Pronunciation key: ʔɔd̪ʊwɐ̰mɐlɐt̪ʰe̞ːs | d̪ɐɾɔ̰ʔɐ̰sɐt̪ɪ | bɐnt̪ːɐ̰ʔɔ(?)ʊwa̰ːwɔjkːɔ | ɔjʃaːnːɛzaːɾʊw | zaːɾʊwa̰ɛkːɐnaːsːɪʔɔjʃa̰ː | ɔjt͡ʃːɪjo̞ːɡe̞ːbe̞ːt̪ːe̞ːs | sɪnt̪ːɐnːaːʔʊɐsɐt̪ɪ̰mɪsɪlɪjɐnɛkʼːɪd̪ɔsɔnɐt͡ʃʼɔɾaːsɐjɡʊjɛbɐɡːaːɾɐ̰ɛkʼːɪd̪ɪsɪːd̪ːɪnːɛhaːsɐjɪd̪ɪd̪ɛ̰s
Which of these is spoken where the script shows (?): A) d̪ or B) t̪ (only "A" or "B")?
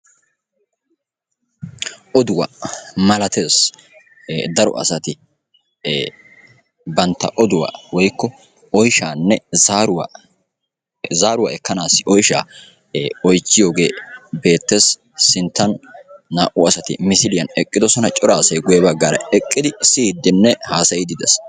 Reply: A